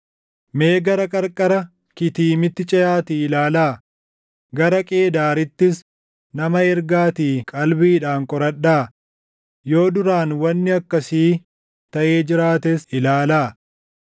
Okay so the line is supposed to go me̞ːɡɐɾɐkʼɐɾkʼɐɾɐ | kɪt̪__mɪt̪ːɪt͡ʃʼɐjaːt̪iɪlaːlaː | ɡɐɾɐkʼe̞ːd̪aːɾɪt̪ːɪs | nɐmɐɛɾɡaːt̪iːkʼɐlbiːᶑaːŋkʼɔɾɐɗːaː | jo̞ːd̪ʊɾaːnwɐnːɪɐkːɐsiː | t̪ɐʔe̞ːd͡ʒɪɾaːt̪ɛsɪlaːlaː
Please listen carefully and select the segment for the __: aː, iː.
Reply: iː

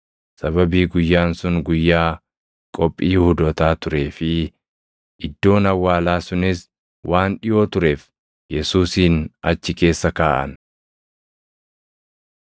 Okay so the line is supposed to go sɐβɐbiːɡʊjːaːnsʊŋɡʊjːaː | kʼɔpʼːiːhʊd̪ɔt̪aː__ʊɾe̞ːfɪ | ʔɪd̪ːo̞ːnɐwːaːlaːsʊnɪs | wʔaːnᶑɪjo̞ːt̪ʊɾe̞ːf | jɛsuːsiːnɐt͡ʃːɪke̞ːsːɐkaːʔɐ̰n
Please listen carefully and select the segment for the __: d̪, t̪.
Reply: t̪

